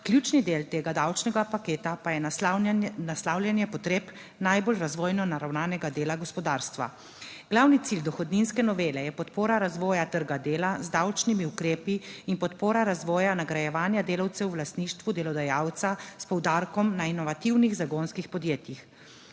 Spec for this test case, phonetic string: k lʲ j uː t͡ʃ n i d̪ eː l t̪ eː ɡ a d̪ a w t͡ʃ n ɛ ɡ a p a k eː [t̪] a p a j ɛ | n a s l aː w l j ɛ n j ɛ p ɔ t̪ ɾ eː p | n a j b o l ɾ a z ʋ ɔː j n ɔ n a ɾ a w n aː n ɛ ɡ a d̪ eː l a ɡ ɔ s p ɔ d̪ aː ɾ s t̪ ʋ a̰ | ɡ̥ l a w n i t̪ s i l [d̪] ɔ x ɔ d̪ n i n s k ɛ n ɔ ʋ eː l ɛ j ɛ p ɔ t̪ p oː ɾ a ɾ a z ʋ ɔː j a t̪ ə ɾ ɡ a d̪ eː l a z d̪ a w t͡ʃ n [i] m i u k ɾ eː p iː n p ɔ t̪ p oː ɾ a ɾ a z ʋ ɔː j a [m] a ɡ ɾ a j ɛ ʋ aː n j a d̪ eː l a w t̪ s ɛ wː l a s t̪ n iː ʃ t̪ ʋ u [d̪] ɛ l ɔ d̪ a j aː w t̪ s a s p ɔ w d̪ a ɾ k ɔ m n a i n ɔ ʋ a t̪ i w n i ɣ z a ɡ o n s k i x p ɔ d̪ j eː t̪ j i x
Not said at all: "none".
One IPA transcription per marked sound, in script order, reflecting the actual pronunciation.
t̪, d̪, i, n, d̪

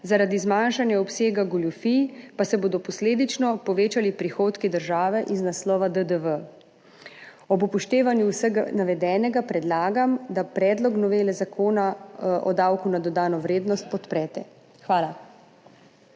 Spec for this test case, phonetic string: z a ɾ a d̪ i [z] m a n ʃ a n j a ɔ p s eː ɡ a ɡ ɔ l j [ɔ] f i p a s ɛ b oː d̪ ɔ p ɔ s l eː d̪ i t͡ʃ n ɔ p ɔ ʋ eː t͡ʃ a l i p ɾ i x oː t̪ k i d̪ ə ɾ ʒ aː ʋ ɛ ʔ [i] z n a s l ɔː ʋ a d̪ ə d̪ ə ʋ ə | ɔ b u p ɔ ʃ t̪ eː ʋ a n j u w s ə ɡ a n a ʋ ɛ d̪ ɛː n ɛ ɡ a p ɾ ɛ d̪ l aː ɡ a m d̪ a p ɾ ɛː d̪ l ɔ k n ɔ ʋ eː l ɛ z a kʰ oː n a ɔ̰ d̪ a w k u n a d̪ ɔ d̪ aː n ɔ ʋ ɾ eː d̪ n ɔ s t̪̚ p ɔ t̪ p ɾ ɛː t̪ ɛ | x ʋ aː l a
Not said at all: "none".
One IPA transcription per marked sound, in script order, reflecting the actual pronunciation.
z, u, i

